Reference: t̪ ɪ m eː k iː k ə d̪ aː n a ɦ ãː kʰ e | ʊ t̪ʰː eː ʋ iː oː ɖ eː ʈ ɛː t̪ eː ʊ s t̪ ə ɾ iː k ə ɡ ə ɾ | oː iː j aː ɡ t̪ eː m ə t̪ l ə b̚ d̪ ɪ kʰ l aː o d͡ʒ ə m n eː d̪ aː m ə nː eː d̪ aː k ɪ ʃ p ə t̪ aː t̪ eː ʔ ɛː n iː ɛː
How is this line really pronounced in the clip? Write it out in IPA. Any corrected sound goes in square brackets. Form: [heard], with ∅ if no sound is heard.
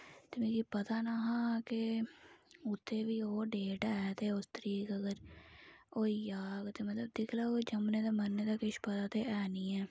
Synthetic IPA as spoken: t̪ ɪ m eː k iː [p] ə [t̪] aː n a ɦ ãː [k] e | ʊ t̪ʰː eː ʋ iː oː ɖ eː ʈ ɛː t̪ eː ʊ s t̪ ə ɾ iː k ə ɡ ə ɾ | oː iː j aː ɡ t̪ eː m ə t̪ l ə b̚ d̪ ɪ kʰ l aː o d͡ʒ ə m n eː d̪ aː m ə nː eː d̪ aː k ɪ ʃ p ə t̪ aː t̪ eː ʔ ɛː n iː ɛː